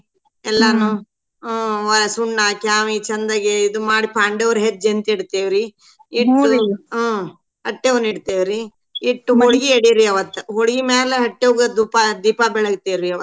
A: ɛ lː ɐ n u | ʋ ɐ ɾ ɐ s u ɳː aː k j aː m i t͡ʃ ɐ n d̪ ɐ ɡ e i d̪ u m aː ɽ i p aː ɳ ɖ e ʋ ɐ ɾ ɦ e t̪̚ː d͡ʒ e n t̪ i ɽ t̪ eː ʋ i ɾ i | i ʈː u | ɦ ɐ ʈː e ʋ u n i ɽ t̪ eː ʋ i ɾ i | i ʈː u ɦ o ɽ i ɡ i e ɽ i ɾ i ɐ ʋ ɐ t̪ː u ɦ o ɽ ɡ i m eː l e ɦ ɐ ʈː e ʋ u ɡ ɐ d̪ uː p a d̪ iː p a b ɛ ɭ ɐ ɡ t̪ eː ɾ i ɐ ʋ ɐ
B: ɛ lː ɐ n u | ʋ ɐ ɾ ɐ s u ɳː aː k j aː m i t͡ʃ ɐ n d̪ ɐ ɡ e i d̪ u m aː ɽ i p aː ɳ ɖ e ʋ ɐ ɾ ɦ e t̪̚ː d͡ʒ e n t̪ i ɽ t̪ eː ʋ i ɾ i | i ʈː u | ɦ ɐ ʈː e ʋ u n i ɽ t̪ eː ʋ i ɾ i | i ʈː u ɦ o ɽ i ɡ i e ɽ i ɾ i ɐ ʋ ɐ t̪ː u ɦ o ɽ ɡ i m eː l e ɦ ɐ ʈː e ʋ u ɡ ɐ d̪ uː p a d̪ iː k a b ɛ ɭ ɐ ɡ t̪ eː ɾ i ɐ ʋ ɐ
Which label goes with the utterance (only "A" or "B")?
A